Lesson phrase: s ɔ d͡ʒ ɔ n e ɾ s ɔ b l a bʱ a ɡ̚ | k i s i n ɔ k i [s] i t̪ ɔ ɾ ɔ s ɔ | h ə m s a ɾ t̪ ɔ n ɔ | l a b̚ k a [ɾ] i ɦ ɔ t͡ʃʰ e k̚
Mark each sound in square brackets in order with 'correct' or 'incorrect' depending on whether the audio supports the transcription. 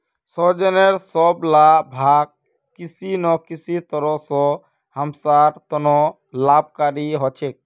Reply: correct, correct

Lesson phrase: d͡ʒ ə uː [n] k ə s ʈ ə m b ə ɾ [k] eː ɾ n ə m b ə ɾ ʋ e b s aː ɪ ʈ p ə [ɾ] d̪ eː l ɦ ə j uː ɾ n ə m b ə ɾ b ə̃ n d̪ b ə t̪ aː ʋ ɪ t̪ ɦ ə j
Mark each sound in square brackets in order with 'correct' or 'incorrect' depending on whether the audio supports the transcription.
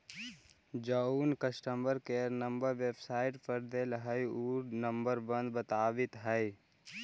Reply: correct, correct, correct

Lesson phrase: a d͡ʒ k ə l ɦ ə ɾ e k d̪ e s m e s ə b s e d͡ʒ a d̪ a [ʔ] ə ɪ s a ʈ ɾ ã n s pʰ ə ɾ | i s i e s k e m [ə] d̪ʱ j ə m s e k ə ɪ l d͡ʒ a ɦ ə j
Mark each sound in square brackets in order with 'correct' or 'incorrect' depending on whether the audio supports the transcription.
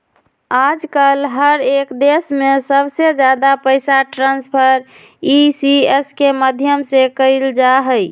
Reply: incorrect, correct

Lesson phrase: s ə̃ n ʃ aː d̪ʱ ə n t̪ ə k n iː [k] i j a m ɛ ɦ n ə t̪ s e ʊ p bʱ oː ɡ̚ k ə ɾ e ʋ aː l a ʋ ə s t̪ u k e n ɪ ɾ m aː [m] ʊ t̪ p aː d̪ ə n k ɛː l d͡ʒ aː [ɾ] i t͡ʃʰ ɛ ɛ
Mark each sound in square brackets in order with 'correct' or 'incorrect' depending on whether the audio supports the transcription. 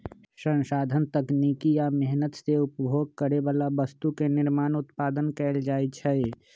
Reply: correct, incorrect, incorrect

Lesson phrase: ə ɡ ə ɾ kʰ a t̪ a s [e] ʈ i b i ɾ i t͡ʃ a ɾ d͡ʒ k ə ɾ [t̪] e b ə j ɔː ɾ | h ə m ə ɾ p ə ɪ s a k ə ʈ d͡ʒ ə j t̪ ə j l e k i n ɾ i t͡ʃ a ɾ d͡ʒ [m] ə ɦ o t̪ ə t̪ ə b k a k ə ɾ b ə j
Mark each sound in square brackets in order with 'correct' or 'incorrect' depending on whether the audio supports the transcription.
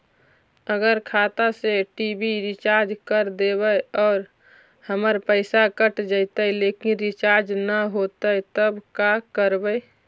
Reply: correct, incorrect, incorrect

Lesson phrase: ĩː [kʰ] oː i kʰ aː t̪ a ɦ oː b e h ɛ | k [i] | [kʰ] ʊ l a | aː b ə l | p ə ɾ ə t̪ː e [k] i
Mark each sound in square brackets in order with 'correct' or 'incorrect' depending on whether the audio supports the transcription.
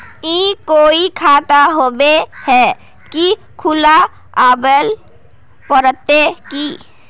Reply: incorrect, correct, correct, correct

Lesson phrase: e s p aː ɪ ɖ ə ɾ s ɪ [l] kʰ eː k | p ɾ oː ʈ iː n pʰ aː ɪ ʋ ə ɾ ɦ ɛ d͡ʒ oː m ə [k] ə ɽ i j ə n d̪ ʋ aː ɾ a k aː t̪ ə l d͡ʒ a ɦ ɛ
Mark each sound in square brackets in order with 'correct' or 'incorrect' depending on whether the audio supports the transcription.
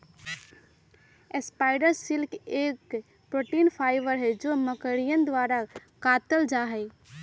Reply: correct, correct

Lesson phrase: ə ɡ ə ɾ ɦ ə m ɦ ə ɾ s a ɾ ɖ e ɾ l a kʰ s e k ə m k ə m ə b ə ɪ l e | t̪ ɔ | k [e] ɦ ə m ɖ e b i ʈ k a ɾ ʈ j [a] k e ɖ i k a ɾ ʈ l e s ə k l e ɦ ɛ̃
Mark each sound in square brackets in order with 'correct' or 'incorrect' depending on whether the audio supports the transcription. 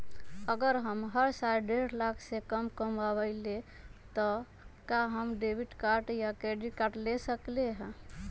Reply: incorrect, correct

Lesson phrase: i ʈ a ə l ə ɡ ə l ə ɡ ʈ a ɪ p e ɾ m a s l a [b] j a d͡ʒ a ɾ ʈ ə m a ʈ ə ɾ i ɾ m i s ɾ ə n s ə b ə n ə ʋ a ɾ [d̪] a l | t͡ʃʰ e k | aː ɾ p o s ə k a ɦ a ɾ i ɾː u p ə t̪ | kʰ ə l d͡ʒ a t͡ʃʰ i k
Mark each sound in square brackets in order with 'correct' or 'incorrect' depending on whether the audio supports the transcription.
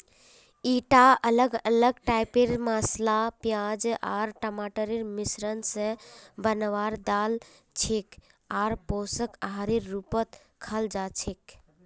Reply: incorrect, correct

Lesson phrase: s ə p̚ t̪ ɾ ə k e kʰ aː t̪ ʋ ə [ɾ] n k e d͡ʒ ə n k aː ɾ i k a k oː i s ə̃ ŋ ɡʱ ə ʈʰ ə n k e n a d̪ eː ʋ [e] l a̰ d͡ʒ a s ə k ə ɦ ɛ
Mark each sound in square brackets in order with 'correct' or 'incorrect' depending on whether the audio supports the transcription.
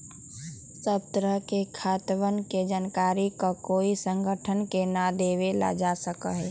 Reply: incorrect, correct

